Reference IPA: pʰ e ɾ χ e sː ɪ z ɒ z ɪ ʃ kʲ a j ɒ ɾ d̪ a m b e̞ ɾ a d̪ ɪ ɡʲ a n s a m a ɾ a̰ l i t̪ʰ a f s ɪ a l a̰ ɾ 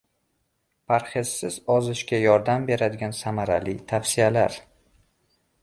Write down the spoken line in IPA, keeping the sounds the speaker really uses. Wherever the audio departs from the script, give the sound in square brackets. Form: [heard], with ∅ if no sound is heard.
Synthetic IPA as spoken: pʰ [a] ɾ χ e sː ɪ z ɒ z ɪ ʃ kʲ a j ɒ ɾ d̪ a m b e̞ ɾ a d̪ ɪ ɡʲ a n s a m a ɾ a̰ l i t̪ʰ a f s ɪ a l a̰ ɾ